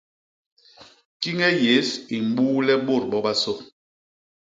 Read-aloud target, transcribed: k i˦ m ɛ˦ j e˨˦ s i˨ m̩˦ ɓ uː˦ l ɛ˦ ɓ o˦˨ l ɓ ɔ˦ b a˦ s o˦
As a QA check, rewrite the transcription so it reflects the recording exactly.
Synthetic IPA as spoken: k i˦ ŋ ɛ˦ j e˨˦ s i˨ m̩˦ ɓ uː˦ l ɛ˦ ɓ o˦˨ ɾ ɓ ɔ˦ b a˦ s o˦